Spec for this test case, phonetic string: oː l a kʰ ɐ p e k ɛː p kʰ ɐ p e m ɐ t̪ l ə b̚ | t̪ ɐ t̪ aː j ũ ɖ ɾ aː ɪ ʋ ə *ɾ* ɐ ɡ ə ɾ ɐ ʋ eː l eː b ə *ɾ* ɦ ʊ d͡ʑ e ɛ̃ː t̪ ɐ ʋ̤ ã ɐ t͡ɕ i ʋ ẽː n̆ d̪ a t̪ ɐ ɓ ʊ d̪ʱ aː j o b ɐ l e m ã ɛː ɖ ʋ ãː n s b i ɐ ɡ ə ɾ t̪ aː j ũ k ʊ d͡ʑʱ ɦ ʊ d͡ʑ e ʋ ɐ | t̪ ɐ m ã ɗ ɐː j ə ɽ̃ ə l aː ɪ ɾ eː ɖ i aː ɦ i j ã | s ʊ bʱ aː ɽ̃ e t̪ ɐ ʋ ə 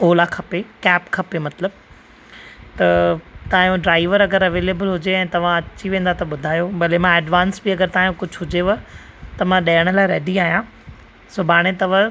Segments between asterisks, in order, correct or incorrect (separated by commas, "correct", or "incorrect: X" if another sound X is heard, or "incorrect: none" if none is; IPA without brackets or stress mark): correct, incorrect: l